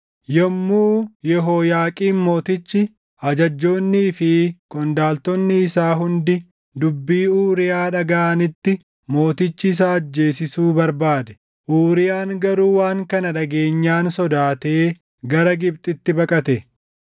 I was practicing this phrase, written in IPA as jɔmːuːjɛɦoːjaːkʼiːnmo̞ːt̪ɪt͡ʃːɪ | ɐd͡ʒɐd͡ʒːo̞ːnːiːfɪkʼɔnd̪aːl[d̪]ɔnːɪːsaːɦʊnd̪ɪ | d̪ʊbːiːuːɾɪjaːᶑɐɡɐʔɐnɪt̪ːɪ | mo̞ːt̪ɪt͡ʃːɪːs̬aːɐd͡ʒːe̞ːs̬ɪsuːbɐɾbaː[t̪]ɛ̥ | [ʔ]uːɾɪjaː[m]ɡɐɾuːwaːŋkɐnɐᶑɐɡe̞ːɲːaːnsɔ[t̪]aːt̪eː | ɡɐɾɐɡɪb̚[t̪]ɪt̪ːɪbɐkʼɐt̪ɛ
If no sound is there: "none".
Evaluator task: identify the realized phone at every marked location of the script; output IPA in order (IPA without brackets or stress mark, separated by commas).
t̪, d̪, ʔ, ŋ, d̪, t̪ʼ